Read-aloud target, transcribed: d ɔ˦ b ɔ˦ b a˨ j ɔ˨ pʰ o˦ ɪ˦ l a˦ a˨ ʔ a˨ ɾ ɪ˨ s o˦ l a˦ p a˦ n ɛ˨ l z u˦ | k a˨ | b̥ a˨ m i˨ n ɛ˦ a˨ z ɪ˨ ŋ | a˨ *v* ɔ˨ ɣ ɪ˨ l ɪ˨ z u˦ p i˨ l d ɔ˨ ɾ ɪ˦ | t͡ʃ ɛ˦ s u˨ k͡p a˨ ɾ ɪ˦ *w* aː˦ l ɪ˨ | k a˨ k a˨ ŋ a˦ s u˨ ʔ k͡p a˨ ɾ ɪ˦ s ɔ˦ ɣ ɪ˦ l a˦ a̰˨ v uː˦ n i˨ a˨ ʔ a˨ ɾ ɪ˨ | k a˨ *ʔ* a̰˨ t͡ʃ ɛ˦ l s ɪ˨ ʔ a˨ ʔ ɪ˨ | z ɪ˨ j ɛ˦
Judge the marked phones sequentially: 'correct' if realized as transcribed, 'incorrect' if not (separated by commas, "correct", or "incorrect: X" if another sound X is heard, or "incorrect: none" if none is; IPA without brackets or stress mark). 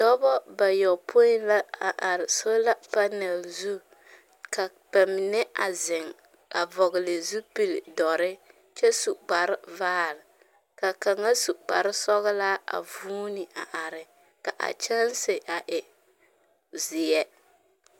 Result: correct, incorrect: v, correct